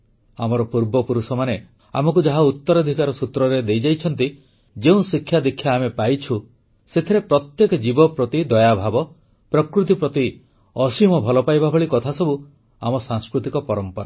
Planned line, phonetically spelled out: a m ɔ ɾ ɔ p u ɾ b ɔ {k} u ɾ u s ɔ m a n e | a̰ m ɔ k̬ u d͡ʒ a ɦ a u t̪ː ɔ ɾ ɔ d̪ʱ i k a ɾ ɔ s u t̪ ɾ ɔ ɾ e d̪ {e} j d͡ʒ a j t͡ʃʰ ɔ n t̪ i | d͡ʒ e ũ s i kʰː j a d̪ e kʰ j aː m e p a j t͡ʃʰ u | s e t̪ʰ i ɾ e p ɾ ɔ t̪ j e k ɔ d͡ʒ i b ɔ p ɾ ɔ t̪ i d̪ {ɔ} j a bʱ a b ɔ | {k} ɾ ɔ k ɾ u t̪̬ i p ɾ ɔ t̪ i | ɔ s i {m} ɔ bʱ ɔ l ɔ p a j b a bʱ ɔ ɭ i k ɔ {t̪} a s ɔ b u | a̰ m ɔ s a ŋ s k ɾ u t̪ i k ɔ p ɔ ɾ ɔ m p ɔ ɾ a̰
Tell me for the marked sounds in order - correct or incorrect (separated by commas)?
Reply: incorrect, correct, correct, incorrect, correct, incorrect